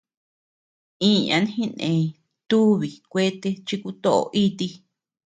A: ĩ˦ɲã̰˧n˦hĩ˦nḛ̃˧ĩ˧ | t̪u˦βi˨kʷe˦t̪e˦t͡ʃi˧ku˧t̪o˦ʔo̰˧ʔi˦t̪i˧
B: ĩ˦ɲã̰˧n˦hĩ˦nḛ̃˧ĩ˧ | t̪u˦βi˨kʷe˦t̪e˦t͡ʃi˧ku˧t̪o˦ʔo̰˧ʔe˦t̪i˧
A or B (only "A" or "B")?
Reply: A